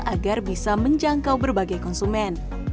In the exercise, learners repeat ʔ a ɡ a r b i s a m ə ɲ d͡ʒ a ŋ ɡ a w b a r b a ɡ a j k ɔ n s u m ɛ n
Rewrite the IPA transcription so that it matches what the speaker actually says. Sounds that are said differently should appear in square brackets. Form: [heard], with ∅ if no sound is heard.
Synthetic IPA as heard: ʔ a ɡ a r b i s a m ə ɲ d͡ʒ a ŋ [k] a w b [ə] r b a ɡ a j k ɔ n s u m ɛ n